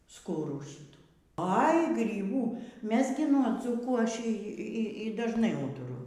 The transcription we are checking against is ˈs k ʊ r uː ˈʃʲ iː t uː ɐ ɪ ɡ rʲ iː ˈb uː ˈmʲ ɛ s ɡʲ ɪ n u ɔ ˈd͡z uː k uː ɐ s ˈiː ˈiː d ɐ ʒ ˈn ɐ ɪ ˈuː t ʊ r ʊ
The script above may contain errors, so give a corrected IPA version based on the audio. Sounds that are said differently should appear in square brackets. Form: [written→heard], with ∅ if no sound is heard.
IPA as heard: ˈs k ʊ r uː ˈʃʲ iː t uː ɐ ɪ ɡ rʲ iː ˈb uː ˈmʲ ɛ s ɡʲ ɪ n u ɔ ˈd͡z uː k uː ɐ [s→ʃ] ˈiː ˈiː d ɐ ʒ ˈn ɐ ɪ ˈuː t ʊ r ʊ